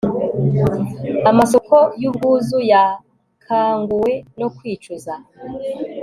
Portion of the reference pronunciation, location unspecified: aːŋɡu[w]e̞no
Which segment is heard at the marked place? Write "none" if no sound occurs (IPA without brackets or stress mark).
w